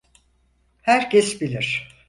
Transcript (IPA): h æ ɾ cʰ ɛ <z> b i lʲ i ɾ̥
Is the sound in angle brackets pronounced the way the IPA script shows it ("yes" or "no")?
no